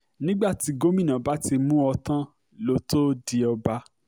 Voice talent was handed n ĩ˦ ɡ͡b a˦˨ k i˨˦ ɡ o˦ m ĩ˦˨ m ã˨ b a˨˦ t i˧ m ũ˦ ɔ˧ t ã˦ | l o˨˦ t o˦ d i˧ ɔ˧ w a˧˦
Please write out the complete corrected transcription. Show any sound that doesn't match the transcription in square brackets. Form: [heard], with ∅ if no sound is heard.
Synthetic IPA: n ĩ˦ ɡ͡b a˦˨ [t] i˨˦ ɡ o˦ m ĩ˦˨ [n] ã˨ b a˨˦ t i˧ m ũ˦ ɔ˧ t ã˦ | l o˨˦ t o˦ d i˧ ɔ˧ [b] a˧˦